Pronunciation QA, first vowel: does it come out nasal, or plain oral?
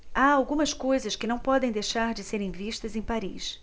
oral